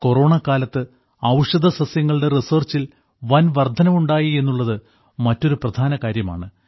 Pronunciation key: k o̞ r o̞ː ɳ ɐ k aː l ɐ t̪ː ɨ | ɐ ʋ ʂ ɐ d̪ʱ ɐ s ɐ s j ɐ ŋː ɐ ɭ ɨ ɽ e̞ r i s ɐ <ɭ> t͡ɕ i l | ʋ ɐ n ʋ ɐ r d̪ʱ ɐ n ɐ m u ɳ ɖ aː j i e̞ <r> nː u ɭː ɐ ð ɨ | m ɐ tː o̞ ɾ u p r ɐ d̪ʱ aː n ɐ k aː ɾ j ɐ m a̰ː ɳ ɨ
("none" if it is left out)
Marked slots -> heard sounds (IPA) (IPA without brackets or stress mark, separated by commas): r, none